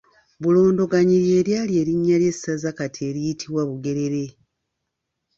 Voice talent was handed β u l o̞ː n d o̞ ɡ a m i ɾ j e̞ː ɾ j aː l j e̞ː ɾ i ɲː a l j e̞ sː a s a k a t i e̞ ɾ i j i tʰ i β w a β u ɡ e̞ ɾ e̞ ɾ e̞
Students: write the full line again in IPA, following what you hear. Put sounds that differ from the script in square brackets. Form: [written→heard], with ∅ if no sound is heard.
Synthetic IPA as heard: β u l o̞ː n d o̞ ɡ a [m→ɲ] i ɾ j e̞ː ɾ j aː l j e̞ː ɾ i ɲː a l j e̞ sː a [s→z] a k a t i e̞ ɾ i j i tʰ i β w a β u ɡ e̞ ɾ e̞ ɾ e̞